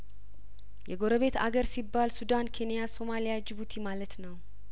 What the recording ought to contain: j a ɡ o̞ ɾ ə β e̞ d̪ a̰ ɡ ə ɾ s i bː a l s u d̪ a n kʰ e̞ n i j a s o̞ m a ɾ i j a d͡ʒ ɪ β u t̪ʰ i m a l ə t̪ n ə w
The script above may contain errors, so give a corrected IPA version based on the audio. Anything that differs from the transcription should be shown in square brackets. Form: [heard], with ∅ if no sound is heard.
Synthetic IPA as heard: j [ɛ] ɡ o̞ ɾ ə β e̞ [t̪] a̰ ɡ ə ɾ s i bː a l s u d̪ a n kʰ e̞ n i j a s o̞ m a [l] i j a d͡ʒ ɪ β u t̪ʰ i m a l ə t̪ n ə w